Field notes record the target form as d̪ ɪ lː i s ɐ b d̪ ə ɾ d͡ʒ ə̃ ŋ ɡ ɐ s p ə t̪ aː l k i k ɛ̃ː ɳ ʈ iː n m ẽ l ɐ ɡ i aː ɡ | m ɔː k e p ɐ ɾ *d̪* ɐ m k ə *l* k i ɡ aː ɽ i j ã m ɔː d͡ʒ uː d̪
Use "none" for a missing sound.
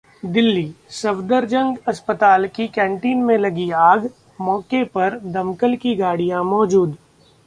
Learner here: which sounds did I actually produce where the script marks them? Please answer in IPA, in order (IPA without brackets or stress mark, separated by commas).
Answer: d̪, l